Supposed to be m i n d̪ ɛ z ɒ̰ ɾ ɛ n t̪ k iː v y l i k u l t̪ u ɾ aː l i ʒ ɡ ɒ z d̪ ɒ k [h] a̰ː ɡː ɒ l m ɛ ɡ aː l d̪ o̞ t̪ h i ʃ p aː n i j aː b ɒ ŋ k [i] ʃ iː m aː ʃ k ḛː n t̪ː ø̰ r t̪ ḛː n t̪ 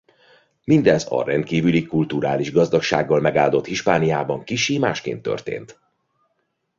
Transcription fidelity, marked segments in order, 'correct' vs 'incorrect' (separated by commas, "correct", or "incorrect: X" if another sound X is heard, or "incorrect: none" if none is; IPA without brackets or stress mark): incorrect: ʃ, correct